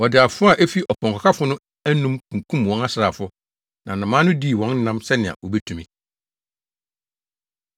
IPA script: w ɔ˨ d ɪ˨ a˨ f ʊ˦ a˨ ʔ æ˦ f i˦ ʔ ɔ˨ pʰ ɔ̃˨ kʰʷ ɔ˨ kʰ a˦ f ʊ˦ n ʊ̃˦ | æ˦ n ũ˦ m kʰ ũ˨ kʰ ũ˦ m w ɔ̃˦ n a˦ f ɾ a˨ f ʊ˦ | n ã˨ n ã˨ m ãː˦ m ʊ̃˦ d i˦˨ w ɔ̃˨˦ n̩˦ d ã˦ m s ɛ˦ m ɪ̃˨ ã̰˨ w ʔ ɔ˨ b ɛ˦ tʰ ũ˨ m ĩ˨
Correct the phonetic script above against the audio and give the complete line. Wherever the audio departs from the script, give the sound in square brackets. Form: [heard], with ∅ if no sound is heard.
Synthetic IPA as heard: w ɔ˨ d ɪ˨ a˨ f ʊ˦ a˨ ʔ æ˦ f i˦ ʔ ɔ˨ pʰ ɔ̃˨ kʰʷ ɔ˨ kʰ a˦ f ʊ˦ n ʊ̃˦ | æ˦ n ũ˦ m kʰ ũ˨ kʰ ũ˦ m w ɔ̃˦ n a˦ [s] ɾ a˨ f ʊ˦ | n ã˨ n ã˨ m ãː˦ [n] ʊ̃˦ d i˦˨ w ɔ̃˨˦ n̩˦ [n] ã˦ m s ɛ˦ [n] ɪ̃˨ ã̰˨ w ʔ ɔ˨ b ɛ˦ tʰ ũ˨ m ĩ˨